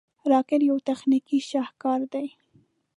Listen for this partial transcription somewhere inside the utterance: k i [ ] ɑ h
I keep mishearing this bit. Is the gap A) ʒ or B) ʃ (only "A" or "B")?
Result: B